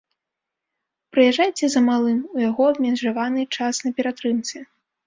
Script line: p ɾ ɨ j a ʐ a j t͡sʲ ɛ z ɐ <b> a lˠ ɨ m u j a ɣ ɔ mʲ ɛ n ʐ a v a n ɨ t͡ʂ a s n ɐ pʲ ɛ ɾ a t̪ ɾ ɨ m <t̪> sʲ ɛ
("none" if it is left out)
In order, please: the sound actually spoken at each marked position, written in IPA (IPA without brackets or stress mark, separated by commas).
m, t̪